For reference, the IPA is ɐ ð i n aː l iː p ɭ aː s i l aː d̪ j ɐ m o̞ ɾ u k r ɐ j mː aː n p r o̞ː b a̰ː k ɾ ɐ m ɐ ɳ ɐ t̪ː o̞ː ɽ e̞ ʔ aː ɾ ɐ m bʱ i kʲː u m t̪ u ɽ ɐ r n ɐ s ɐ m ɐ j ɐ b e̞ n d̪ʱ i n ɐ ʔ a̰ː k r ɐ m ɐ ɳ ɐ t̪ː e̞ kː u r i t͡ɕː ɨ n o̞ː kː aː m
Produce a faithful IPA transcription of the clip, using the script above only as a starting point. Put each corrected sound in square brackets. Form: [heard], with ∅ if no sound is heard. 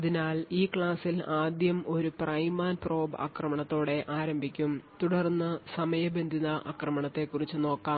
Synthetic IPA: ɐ ð i n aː l iː [k] ɭ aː s i l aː d̪ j ɐ m o̞ ɾ u [p] r ɐ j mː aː n p r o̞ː b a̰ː k [r] ɐ m ɐ ɳ ɐ t̪ː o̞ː ɽ e̞ ʔ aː ɾ ɐ m bʱ i kʲː u m t̪ u ɽ ɐ r [nː] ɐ s ɐ m ɐ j ɐ b e̞ n d̪ʱ i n ɐ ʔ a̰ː k r ɐ m ɐ ɳ ɐ t̪ː e̞ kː u r i t͡ɕː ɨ n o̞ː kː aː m